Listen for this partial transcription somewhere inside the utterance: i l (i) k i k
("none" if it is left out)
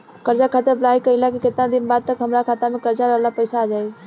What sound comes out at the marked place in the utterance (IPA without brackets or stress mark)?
a